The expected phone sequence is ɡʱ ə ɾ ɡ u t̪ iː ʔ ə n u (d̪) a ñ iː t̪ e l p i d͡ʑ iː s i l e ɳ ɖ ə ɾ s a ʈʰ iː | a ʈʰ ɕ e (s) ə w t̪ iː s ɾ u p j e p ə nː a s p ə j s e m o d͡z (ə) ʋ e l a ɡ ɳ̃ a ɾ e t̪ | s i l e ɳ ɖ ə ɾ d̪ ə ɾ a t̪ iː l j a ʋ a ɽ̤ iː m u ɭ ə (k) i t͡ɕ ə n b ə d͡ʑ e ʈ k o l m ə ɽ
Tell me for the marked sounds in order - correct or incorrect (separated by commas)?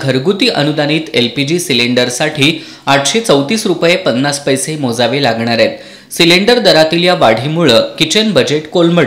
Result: correct, incorrect, incorrect, correct